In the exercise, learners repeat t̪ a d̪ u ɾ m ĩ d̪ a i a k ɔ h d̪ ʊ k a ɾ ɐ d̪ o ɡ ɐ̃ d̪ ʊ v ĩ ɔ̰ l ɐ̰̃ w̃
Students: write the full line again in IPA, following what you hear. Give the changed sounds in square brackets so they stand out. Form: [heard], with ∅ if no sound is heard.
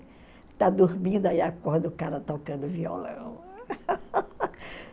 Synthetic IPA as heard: t̪ a d̪ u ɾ m ĩ d̪ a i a k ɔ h d̪ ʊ k a ɾ ɐ [t̪] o [k] ɐ̃ d̪ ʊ v [i] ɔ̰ l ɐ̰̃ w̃